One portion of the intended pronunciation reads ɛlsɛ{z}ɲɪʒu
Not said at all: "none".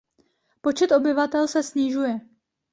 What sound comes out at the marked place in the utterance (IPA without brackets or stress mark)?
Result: s